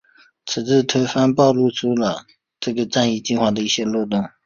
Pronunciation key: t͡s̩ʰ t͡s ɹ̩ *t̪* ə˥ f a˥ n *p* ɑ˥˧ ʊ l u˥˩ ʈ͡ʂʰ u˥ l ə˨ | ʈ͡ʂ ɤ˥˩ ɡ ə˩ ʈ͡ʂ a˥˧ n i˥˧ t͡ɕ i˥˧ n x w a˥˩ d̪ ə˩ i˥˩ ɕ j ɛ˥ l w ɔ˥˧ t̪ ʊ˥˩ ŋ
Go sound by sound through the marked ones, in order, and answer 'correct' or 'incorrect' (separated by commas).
incorrect, correct